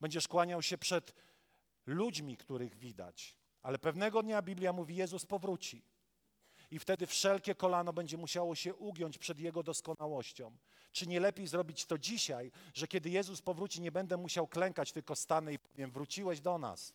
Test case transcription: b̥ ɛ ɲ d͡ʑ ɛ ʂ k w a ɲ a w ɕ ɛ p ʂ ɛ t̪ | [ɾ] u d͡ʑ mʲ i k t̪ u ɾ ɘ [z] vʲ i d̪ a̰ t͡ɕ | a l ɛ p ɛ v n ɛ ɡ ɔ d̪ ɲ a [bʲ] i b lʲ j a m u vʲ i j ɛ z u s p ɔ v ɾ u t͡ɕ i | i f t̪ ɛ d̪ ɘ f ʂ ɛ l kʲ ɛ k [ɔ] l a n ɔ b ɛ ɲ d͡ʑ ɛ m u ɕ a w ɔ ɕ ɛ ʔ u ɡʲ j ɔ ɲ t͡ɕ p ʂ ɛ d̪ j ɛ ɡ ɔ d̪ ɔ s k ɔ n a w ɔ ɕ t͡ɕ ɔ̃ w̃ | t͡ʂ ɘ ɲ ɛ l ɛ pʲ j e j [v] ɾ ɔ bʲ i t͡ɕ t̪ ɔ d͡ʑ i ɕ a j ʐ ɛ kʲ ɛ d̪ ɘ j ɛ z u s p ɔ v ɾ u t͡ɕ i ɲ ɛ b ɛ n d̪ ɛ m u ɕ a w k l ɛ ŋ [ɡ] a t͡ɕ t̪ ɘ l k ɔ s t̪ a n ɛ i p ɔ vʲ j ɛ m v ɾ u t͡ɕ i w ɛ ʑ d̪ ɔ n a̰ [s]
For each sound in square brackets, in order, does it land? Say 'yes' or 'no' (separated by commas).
no, no, yes, yes, no, no, yes